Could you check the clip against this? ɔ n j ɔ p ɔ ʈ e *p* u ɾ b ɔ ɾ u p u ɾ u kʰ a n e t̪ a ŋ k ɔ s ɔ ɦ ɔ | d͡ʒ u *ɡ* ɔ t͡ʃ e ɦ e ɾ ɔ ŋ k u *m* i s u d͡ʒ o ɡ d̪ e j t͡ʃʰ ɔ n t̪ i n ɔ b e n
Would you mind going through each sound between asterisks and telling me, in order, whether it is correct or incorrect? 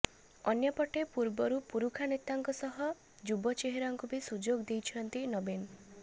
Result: correct, incorrect: b, incorrect: b

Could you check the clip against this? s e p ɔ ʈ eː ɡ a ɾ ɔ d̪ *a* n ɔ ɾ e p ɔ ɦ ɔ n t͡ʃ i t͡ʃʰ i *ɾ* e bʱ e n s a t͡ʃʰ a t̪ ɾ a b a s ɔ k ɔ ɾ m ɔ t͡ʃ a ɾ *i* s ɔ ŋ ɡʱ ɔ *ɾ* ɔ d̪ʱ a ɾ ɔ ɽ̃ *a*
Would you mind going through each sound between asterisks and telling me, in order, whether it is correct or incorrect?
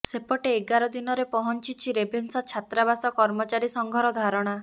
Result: incorrect: i, correct, correct, correct, correct

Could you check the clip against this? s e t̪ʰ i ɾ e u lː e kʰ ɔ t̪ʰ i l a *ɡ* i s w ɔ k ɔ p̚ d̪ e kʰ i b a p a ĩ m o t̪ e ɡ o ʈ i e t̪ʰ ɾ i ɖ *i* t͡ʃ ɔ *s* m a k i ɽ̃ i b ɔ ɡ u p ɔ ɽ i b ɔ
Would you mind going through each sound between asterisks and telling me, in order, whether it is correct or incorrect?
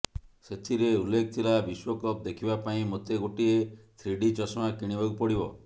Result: incorrect: b, correct, correct

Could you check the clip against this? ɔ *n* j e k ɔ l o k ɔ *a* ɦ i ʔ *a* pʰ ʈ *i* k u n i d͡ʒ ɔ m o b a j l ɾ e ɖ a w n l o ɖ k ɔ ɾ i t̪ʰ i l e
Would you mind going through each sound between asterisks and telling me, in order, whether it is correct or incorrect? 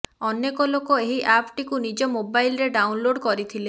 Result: correct, incorrect: e, correct, correct

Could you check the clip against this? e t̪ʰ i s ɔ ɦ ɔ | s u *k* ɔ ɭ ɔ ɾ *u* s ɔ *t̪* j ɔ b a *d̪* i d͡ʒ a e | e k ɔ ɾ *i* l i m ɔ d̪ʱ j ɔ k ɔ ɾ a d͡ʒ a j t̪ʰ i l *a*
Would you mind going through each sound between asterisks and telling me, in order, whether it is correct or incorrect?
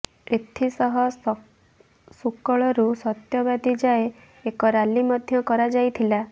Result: correct, correct, correct, correct, incorrect: a, correct

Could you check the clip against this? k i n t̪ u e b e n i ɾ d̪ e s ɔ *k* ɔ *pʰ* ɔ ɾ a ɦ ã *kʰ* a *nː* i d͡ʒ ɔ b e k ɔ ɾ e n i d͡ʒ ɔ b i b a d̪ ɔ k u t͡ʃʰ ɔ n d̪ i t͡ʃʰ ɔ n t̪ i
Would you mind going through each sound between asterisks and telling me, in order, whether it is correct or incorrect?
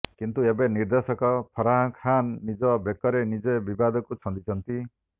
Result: correct, correct, correct, correct

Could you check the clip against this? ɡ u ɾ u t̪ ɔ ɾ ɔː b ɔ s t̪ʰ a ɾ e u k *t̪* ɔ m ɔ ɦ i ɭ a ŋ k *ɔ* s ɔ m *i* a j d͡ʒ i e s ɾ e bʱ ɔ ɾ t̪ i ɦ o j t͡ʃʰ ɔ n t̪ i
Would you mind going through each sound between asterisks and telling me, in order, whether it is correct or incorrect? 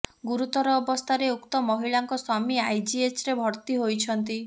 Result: correct, correct, correct

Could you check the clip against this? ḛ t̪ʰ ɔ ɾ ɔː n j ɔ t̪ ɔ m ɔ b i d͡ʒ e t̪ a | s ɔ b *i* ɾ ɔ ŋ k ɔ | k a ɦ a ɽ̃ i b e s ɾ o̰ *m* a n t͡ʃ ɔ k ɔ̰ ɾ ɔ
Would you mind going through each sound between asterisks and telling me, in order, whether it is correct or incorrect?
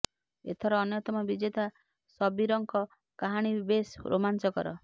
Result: correct, correct

